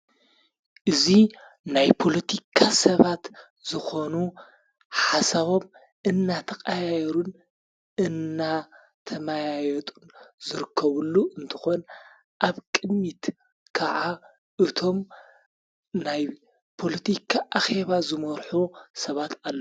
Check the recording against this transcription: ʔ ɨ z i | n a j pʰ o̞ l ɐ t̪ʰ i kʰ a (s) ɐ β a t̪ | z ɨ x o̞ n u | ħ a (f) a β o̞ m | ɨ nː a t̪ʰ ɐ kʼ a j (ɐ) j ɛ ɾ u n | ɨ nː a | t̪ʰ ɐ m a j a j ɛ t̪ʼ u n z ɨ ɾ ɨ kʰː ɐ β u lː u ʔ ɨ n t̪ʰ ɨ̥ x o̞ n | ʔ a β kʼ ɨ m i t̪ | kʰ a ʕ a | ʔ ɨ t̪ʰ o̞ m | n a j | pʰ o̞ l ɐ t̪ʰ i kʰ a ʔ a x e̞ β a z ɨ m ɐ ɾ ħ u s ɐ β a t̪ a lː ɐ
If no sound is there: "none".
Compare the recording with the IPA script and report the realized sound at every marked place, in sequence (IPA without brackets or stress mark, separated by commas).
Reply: s, s, a